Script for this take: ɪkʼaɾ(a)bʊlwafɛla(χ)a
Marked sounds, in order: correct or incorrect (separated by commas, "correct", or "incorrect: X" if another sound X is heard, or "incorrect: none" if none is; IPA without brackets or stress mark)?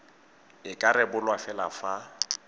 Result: incorrect: ɛ, incorrect: f